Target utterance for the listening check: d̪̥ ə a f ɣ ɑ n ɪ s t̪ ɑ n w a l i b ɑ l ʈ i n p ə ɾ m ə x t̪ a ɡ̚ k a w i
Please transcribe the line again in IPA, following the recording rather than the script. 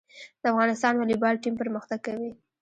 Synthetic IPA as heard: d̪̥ ə a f ɣ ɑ n ɪ s t̪ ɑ n w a l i b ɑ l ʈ i m p ə ɾ m ə x t̪ a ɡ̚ k a w i